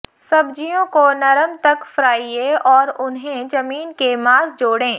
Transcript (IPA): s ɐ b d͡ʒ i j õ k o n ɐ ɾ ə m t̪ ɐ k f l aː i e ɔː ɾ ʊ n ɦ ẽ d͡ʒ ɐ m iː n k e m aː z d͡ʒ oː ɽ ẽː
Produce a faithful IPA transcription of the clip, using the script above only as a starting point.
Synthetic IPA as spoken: s ɐ b d͡ʒ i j õ k o n ɐ ɾ ə m t̪ ɐ k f ɾ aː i e ɔː ɾ ʊ n ɦ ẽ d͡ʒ ɐ m iː n k e m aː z d͡ʒ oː ɽ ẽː